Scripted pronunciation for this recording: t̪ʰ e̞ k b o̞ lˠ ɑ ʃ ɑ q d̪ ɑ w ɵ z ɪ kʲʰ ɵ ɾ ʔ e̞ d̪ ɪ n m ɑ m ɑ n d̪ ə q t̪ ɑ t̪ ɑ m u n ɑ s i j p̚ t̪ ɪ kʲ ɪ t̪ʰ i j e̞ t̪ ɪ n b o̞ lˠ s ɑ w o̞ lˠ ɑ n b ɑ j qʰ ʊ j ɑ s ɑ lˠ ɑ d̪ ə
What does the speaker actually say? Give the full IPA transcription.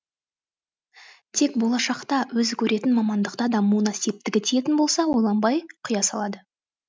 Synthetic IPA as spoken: t̪ʰ e̞ k b o̞ lˠ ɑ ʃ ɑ q t̪ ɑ w ɵ z ɪ kʲʰ ɵ ɾ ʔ e̞ t̪ ɪ n m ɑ m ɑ n d̪ ə q t̪ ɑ d̪ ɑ m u n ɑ s i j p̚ t̪ ɪ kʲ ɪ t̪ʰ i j e̞ t̪ ɪ n b o̞ lˠ s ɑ w o̞ lˠ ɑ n b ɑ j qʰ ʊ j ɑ s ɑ lˠ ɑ d̪ ə